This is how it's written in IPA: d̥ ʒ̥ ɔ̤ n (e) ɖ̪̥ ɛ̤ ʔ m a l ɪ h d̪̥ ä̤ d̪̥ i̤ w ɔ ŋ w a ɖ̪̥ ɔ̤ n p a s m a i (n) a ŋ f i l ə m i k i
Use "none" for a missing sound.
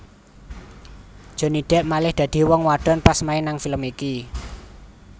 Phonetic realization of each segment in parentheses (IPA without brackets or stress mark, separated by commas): i, n